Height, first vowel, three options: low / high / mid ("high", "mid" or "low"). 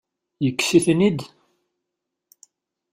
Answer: mid